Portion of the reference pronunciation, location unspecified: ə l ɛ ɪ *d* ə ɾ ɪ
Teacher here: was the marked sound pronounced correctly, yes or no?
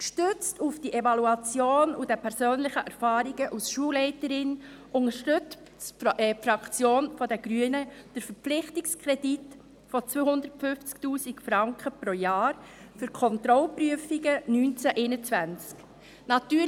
no